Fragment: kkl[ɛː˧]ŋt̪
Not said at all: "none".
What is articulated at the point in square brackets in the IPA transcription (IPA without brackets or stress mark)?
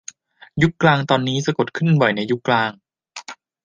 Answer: aː˧